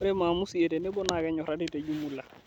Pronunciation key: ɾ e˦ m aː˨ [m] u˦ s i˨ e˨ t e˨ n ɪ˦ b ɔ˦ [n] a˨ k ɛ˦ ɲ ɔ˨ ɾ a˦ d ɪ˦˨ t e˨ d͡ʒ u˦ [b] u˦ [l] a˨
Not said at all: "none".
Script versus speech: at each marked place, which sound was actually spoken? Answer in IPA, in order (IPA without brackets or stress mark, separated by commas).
m, n, m, l